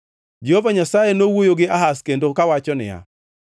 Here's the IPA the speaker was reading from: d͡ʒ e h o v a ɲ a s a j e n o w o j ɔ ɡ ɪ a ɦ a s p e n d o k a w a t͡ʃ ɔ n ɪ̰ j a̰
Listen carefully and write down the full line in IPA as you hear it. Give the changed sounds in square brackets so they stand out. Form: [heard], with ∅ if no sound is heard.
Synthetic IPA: d͡ʒ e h o v a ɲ a s a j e n o w o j [o] ɡ ɪ a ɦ a s [k] e n d o k a w a t͡ʃ ɔ n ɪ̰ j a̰